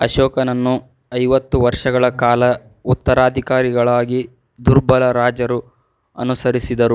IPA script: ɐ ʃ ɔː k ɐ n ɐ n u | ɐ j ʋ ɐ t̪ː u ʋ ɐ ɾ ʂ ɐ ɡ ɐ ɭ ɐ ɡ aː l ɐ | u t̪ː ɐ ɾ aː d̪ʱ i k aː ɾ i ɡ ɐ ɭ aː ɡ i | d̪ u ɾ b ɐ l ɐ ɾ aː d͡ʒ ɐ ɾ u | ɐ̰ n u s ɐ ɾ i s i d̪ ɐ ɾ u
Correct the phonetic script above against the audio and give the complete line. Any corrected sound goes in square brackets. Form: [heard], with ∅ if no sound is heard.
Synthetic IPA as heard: ɐ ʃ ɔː k ɐ n ɐ [nː] u | ɐ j ʋ ɐ t̪ː u ʋ ɐ ɾ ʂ ɐ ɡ ɐ ɭ ɐ [k] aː l ɐ | u t̪ː ɐ ɾ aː d̪ʱ i k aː ɾ i ɡ ɐ ɭ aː ɡ i | d̪ u ɾ b ɐ l ɐ ɾ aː d͡ʒ ɐ ɾ u | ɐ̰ n u s ɐ ɾ i s i d̪ ɐ ɾ u